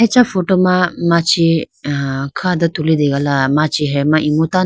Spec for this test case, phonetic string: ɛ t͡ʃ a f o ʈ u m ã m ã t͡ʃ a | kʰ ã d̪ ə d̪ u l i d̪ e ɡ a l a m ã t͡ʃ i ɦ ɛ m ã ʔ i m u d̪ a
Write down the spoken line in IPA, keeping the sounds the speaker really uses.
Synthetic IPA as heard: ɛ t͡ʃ a f o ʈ o m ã m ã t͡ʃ i | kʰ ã d̪ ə t̪ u l i d̪ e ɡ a l a m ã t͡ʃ i ɦ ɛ m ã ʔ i m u t̪ a